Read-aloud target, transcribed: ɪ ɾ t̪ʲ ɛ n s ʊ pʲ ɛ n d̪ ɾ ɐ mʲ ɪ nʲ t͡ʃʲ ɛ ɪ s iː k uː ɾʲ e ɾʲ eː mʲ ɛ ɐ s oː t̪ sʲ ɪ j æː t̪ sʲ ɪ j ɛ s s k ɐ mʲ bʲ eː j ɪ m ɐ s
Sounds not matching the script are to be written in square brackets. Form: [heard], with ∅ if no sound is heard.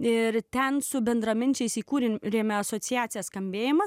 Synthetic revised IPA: ɪ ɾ t̪ʲ ɛ n s ʊ [bʲ] ɛ n d̪ ɾ ɐ mʲ ɪ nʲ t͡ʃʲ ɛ ɪ s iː k uː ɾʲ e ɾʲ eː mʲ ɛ ɐ s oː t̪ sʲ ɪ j æː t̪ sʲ ɪ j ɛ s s k ɐ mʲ bʲ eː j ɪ m ɐ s

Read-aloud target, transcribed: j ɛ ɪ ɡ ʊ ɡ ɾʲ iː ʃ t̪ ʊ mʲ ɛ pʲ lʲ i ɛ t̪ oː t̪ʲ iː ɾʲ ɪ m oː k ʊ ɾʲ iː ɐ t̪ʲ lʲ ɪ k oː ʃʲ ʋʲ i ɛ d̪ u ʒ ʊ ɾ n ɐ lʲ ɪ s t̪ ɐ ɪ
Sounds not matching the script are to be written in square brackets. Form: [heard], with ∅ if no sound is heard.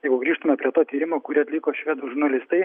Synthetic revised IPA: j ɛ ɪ ɡ ʊ ɡ ɾʲ iː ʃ t̪ ʊ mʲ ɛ pʲ [ɾʲ] i ɛ t̪ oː t̪ʲ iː ɾʲ ɪ m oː k ʊ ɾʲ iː ɐ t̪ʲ lʲ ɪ k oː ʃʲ ʋʲ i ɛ d̪ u ʒ ʊ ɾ n ɐ lʲ ɪ s t̪ ɐ ɪ

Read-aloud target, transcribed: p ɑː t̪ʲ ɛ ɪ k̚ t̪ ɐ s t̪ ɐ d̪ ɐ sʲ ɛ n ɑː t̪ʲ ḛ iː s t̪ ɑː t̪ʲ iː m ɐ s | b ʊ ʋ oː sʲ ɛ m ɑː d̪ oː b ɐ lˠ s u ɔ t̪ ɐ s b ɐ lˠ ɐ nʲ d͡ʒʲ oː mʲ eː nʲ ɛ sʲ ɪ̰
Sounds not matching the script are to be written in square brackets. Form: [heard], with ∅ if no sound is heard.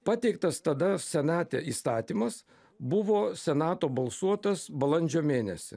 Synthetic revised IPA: p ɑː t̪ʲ ɛ ɪ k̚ t̪ ɐ s t̪ ɐ d̪ ɐ sʲ ɛ n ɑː t̪ʲ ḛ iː s t̪ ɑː t̪ʲ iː m ɐ s | b ʊ ʋ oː sʲ ɛ [n] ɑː [t̪] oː b ɐ lˠ s u ɔ t̪ ɐ s b ɐ lˠ ɐ nʲ d͡ʒʲ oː mʲ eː nʲ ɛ sʲ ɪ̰

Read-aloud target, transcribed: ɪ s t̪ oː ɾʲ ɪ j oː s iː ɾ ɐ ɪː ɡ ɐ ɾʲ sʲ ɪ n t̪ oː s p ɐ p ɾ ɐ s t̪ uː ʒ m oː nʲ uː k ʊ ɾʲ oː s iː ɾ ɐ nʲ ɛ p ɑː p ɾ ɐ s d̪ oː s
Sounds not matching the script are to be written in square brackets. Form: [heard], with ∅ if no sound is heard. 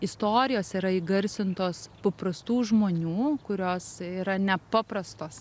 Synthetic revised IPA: ɪ s t̪ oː ɾʲ ɪ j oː s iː ɾ ɐ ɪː ɡ ɐ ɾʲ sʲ ɪ n t̪ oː s p ɐ p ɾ ɐ s t̪ uː ʒ m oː nʲ uː k ʊ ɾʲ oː s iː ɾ ɐ nʲ ɛ p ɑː p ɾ ɐ s [t̪] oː s

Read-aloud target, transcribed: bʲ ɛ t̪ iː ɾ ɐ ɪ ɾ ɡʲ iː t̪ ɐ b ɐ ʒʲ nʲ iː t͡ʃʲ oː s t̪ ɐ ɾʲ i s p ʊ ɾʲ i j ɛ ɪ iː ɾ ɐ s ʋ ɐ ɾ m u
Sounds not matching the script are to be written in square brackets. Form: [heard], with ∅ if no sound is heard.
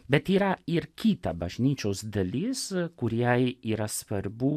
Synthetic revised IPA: bʲ ɛ t̪ iː ɾ ɐ ɪ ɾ [kʲ] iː t̪ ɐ b ɐ ʒʲ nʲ iː t͡ʃʲ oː s [d̪] ɐ [lʲ] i s [k] ʊ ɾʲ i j ɛ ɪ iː ɾ ɐ s ʋ ɐ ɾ [b] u

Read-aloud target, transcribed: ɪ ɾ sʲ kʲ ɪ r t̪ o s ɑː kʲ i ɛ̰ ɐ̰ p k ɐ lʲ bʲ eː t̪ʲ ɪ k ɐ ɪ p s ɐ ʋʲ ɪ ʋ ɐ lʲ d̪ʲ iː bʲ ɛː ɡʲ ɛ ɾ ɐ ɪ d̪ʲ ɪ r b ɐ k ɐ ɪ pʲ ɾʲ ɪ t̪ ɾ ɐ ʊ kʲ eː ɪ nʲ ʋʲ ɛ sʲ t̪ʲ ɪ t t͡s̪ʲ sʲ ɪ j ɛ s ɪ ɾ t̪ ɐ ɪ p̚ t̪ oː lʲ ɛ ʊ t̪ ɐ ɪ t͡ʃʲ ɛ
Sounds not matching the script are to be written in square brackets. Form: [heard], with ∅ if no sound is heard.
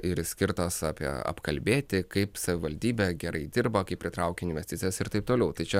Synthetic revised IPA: ɪ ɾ sʲ kʲ ɪ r t̪ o s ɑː [pʲ] i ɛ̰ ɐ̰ p k ɐ lʲ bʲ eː t̪ʲ ɪ k ɐ ɪ p s ɐ ʋʲ ɪ ʋ ɐ lʲ d̪ʲ iː bʲ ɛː ɡʲ ɛ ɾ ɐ ɪ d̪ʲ ɪ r b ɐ k ɐ ɪ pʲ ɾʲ ɪ t̪ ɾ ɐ ʊ kʲ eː ɪ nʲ ʋʲ ɛ sʲ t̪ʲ ɪ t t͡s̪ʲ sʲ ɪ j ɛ s ɪ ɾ t̪ ɐ ɪ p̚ t̪ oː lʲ ɛ ʊ t̪ ɐ ɪ t͡ʃʲ ɛ

